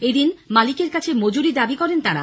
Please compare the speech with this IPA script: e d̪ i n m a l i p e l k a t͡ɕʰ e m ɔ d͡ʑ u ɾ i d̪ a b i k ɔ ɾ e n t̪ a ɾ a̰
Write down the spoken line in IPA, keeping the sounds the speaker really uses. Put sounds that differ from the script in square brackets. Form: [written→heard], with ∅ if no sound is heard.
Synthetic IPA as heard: e d̪ i n m a l i [p→k] e [l→ɾ] k a t͡ɕʰ e m [ɔ→o] d͡ʑ u ɾ i d̪ a b i k ɔ ɾ e n t̪ a ɾ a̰